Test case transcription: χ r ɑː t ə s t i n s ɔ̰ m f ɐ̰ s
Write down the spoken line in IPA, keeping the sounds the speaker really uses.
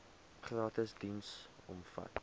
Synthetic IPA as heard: χ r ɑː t ə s d i n s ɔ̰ m f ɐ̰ t